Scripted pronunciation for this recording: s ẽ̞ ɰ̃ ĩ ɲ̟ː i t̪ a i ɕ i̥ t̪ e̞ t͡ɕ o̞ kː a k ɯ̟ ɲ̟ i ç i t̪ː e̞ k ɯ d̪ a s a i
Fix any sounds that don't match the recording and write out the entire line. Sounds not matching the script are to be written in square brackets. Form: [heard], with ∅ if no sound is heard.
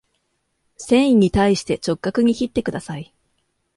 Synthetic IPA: s ẽ̞ ɰ̃ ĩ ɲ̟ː i t̪ a i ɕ i̥ t̪ e̞ t͡ɕ o̞ kː a k ɯ̟ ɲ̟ i ç i t̪ː e̞ k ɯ d̪ a s a i